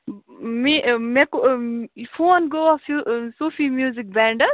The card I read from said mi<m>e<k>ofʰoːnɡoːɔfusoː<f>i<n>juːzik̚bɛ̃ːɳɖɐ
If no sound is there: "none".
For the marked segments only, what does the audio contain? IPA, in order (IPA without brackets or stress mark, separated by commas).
m, k, f, m